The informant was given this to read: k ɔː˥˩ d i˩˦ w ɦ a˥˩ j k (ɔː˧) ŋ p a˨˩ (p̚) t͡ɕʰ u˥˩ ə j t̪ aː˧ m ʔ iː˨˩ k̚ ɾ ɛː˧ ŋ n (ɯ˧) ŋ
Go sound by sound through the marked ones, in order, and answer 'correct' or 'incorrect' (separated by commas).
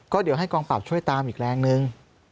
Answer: correct, correct, correct